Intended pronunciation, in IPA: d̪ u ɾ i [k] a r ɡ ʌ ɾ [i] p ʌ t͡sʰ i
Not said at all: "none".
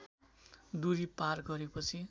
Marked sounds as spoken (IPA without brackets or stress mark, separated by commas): p, e